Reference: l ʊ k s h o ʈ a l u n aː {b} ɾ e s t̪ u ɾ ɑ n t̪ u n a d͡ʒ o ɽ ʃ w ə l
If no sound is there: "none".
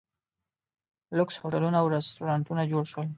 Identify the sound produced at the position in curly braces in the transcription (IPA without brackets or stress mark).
w